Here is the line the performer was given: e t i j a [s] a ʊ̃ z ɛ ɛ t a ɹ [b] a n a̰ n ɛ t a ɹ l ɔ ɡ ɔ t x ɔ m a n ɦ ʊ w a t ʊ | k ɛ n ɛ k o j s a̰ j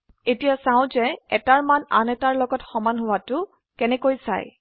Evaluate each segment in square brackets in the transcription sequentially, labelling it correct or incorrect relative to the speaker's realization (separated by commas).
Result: correct, incorrect